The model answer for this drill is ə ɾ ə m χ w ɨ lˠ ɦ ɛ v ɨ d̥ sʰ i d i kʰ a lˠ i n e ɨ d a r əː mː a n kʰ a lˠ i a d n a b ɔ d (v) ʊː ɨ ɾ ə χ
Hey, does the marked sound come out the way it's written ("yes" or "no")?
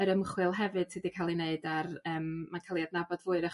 yes